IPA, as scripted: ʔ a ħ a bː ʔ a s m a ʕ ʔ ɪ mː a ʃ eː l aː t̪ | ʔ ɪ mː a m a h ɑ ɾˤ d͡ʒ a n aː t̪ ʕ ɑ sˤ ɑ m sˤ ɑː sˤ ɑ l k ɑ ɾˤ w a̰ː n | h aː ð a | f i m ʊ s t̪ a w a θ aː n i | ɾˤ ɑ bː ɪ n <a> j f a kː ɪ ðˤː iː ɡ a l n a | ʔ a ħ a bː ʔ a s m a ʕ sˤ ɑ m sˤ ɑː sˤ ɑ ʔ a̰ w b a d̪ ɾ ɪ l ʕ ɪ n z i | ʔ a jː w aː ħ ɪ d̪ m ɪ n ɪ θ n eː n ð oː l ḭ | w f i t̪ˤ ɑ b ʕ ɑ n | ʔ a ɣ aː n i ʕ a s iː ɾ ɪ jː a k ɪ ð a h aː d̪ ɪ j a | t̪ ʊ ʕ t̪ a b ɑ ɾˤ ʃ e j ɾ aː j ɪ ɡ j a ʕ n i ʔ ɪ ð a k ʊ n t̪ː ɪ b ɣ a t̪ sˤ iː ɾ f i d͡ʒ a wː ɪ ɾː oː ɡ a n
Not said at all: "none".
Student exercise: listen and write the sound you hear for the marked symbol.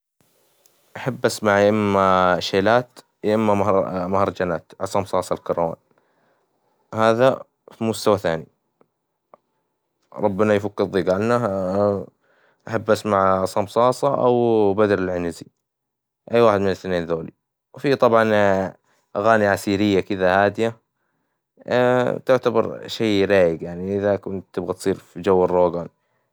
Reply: a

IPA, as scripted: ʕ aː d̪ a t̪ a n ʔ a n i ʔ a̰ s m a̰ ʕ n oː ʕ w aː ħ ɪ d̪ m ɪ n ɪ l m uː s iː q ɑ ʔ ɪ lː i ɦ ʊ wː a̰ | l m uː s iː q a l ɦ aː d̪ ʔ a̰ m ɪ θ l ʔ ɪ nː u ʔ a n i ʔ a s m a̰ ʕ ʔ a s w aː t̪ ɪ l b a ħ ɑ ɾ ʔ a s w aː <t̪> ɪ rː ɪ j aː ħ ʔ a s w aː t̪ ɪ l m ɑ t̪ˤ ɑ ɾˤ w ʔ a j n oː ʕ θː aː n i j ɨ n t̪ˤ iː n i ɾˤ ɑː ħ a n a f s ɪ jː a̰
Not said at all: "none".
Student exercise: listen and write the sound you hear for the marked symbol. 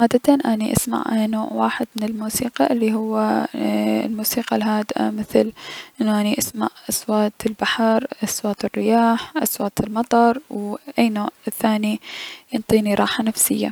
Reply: t̪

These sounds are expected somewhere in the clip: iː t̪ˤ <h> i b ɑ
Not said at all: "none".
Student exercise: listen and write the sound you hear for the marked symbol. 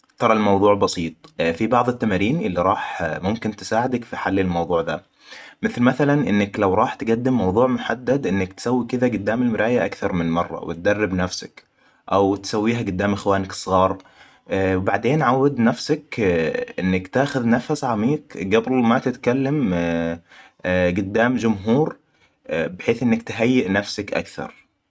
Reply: f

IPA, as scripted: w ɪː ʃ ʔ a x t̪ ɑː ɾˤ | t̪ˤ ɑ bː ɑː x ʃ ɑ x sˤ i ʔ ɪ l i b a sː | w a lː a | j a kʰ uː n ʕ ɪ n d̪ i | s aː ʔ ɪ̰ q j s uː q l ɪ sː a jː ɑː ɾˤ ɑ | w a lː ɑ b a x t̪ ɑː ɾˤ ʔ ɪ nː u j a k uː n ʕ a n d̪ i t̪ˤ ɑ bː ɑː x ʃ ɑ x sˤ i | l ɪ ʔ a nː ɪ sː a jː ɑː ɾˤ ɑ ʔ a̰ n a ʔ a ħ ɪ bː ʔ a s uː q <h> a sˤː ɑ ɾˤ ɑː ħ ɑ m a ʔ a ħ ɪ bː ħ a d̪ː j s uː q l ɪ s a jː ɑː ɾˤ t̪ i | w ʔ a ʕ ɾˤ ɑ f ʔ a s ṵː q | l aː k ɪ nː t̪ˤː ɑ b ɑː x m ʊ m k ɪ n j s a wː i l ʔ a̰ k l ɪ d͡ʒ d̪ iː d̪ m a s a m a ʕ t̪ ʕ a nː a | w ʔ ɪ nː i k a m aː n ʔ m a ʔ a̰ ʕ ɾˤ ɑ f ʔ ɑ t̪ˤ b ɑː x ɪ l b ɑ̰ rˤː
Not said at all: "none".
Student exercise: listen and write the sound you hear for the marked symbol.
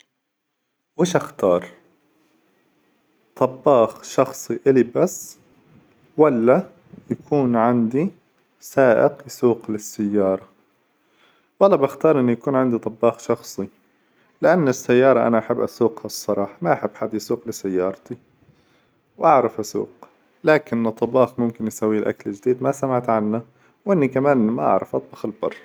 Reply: h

